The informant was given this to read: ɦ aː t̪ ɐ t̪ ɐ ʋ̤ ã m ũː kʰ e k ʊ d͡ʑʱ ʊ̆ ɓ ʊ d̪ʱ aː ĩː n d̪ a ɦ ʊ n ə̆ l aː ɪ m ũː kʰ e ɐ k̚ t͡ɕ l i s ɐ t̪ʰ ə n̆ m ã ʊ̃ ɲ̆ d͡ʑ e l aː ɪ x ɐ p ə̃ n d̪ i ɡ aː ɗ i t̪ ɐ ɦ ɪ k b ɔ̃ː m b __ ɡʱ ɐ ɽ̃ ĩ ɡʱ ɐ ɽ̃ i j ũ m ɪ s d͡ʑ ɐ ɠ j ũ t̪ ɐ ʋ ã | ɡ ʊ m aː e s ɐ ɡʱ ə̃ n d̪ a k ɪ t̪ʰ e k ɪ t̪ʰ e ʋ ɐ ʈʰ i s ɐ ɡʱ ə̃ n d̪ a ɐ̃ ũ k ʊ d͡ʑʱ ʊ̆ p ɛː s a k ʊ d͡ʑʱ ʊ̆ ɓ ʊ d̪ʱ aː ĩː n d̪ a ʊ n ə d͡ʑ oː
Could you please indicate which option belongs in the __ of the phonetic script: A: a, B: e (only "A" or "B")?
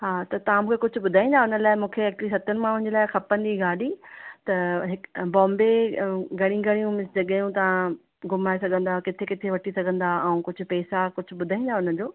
B